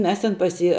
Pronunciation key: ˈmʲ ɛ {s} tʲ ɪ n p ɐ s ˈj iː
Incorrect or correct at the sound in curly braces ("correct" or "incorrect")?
correct